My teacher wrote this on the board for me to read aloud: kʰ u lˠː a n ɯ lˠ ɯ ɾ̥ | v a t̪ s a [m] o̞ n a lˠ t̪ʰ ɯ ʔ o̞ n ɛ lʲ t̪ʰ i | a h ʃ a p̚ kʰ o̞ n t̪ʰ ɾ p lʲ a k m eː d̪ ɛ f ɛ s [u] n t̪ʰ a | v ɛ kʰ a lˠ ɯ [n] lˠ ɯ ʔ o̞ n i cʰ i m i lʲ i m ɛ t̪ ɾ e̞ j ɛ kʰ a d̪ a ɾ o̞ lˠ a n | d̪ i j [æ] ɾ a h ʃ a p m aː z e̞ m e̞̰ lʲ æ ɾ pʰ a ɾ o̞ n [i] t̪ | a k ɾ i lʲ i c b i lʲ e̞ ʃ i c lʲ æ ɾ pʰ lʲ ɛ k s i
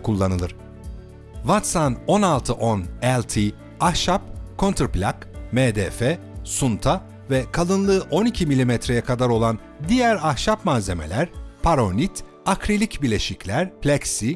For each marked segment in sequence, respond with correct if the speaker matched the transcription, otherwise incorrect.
incorrect: n, correct, correct, correct, correct

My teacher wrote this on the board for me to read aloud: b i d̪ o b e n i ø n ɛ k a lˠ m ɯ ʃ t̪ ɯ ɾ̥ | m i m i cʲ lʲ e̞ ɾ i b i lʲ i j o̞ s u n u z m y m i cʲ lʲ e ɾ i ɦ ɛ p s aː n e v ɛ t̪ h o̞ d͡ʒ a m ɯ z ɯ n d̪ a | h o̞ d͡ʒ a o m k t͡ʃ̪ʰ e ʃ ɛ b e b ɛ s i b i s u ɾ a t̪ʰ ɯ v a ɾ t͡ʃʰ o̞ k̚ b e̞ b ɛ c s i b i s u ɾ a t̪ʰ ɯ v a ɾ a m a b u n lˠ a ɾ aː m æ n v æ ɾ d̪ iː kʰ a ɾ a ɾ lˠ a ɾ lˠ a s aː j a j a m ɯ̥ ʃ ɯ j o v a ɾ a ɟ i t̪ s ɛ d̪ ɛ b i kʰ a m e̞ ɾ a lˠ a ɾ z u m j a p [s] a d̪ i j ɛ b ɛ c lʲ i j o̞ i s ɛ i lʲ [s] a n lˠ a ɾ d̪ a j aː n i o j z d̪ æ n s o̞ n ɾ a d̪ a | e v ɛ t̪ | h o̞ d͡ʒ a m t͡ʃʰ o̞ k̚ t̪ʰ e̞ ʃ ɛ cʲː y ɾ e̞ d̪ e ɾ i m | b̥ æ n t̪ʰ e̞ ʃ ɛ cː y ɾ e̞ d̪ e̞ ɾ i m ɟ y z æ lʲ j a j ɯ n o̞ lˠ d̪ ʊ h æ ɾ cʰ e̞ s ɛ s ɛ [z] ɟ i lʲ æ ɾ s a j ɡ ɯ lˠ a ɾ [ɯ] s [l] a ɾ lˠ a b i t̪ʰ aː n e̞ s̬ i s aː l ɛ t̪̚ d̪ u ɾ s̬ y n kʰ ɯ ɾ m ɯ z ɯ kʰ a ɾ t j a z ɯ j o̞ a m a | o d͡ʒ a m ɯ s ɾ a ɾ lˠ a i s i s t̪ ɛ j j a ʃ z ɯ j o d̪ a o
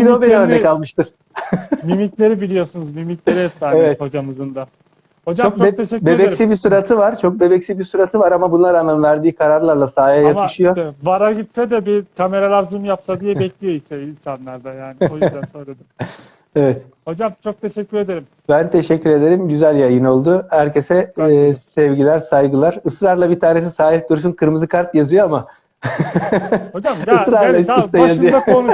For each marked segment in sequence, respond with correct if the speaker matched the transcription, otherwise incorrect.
correct, correct, incorrect: v, correct, incorrect: ɾ

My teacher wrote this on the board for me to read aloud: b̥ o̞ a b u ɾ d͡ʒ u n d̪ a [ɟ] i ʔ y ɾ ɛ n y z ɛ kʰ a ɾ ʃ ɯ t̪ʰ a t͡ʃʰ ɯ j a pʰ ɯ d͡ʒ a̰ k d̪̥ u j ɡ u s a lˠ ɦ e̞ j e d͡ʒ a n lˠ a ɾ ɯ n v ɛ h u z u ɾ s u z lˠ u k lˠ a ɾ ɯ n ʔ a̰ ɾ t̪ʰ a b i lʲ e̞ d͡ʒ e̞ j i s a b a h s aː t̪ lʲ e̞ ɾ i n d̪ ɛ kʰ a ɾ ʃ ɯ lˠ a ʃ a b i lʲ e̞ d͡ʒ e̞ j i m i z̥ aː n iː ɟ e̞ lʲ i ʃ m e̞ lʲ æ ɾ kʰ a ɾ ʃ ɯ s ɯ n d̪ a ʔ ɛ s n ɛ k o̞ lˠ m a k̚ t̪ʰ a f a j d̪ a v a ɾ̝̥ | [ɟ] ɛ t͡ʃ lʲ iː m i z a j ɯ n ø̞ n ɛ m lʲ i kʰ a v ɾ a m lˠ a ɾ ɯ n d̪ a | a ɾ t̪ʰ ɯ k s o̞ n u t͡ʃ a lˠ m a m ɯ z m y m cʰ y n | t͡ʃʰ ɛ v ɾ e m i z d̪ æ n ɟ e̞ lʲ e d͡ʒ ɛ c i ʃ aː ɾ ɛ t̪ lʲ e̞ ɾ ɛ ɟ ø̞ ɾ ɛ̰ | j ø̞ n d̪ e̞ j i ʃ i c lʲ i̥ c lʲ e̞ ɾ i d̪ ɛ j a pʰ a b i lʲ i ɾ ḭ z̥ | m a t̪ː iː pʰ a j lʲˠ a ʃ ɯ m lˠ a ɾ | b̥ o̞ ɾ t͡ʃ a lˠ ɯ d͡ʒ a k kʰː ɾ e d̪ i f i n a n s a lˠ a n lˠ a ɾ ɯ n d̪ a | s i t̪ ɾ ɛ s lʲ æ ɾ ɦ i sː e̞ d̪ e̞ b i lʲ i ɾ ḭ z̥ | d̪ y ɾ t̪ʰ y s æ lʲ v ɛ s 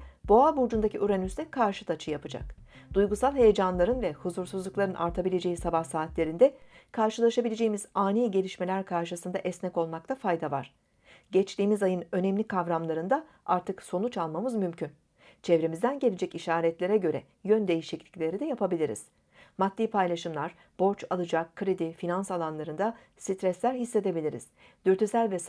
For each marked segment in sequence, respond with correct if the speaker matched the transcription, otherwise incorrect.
incorrect: c, correct

